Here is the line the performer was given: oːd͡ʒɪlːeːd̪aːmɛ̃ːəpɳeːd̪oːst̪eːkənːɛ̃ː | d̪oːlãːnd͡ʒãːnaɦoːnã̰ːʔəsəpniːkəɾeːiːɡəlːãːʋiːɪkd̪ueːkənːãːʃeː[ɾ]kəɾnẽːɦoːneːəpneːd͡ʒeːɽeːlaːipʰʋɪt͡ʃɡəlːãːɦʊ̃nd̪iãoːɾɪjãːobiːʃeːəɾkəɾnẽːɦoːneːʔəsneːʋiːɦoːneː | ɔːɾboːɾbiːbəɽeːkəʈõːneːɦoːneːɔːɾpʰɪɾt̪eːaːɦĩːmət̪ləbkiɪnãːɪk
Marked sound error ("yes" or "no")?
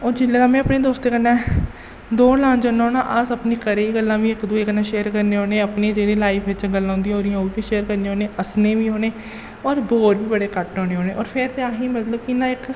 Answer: no